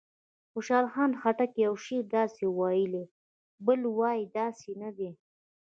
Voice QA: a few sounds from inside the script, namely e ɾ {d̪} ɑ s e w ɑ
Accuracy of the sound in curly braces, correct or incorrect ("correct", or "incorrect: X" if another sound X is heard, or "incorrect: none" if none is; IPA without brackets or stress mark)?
correct